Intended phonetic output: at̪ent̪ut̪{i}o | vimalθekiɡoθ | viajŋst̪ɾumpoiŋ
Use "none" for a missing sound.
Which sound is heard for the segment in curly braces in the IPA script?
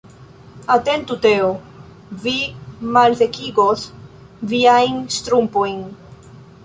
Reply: e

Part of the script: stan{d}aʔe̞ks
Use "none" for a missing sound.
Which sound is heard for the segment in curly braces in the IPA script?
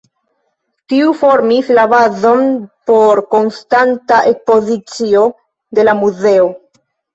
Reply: t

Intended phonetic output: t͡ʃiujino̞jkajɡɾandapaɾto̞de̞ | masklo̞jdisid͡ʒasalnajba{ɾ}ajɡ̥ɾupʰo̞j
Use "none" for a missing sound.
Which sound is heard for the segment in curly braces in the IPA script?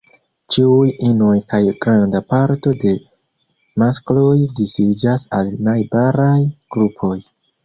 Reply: ɾ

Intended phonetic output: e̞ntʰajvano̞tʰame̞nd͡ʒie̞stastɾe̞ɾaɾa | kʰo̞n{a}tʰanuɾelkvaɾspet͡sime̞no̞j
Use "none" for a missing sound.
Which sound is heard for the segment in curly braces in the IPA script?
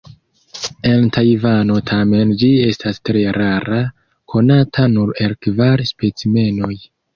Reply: a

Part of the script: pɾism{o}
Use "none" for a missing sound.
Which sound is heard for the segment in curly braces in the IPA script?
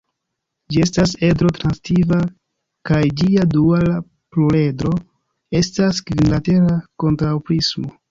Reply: o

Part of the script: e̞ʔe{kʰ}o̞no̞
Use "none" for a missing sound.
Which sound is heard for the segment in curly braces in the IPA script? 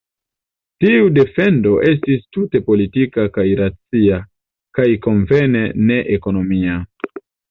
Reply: k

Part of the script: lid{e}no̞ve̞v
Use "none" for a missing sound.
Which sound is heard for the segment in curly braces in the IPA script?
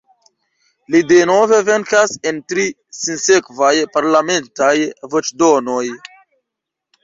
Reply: e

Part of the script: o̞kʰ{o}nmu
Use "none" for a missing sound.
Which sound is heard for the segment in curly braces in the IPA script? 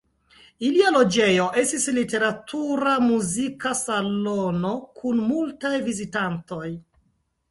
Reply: u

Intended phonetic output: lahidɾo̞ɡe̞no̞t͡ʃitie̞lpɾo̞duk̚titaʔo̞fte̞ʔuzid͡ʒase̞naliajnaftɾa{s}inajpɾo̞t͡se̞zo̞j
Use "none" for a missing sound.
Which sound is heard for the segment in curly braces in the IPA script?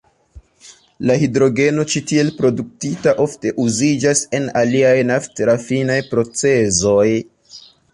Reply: f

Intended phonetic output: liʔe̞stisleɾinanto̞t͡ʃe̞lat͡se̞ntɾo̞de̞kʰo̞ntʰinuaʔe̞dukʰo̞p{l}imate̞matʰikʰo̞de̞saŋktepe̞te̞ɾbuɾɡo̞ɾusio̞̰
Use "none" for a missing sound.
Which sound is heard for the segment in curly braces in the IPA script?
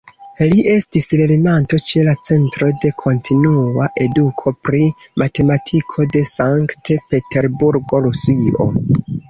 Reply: ɾ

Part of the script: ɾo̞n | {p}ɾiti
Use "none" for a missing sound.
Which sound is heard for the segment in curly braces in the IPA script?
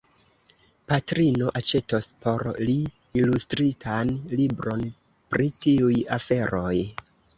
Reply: p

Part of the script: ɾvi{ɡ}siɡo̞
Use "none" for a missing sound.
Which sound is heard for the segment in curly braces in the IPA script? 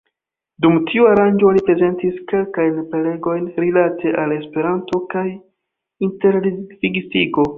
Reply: ɡ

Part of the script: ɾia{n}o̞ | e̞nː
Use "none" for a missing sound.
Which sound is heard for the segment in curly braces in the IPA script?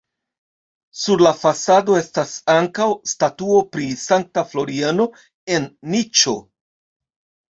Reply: n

